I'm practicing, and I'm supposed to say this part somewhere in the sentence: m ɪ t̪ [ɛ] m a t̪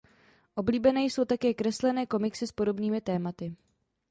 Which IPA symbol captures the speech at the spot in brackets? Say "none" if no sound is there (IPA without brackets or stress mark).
ɛː